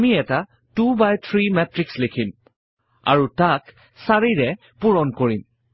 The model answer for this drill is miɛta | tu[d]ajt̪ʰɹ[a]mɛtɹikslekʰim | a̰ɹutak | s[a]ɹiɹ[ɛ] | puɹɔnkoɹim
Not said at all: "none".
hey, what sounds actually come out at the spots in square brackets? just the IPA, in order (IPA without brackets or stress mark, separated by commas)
b, i, a, ɛ